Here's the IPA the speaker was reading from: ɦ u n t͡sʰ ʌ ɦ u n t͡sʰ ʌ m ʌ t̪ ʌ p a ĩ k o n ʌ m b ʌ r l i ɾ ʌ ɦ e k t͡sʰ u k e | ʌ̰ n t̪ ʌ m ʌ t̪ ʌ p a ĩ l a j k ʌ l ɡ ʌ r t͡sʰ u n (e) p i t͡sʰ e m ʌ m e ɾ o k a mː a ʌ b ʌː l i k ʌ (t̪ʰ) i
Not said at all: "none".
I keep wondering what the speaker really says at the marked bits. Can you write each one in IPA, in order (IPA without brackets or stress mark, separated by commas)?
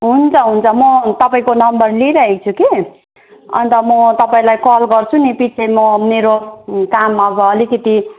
i, t̪